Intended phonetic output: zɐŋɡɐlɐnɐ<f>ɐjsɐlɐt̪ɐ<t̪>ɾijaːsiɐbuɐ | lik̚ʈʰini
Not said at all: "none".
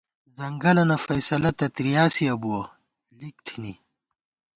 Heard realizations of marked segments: f, t̪

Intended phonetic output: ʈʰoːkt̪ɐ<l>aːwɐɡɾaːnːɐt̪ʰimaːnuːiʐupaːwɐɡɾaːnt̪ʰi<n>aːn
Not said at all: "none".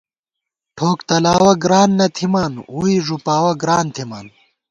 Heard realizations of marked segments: l, m

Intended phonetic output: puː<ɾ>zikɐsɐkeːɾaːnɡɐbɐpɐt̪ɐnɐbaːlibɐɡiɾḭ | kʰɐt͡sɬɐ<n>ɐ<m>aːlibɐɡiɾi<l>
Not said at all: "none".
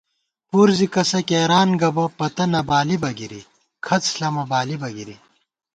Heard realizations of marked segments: ɾ, m, b, none

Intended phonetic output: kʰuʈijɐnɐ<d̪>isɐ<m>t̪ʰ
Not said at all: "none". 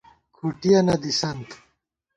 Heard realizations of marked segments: d̪, n

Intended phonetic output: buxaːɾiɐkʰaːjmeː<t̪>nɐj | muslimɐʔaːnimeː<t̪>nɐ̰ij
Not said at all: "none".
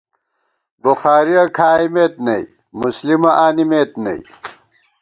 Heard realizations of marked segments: t̪, t̪

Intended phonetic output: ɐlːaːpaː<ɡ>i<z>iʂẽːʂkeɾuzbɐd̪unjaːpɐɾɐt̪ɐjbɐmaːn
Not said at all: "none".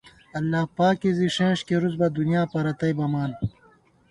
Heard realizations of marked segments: k, z

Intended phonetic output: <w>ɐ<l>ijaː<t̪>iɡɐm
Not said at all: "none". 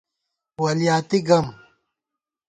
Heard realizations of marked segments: w, l, t̪

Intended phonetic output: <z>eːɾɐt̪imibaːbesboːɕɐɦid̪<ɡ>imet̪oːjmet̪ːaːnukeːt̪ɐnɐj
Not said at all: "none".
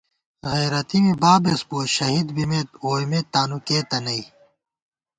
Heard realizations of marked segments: ɣ, b

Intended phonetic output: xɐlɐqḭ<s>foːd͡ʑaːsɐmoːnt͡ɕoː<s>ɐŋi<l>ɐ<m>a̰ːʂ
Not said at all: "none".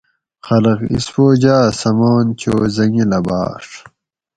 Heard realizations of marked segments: s, z, l, b

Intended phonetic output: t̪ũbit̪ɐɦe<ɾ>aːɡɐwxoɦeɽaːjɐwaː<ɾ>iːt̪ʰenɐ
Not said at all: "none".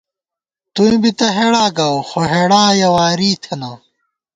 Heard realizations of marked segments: ɽ, ɾ

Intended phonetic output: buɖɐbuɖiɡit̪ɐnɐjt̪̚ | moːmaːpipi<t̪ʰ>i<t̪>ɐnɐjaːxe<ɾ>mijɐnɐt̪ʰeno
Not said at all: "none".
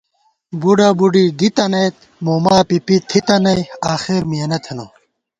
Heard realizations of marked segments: t̪ʰ, t̪, ɾ

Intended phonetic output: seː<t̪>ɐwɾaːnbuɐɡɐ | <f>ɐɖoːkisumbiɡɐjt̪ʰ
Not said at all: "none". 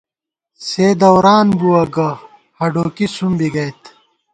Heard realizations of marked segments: d̪, h

